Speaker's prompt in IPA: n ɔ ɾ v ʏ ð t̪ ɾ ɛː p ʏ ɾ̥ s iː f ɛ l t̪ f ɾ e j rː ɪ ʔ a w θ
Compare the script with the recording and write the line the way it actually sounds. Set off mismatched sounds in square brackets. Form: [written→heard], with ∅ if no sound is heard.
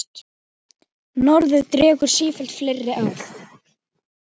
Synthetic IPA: n ɔ ɾ [v→ð] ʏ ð t̪ ɾ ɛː [p→k] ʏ ɾ̥ s iː f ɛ l t̪ f [ɾ→l] e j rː ɪ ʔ a w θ